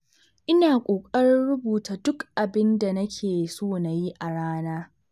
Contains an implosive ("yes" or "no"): no